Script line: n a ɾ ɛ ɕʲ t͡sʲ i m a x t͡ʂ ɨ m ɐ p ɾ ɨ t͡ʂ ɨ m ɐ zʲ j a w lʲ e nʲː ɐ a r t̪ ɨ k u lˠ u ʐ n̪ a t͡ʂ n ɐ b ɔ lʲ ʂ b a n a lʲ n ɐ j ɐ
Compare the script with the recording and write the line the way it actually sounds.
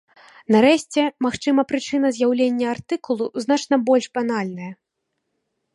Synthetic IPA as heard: n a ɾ ɛ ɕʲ t͡sʲ ɛ m a x t͡ʂ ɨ m ɐ p ɾ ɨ t͡ʂ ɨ n ɐ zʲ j a w lʲ e nʲː ɐ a r t̪ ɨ k u lˠ u z n̪ a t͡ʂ n ɐ b ɔ lʲ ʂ b a n a lʲ n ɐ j ɐ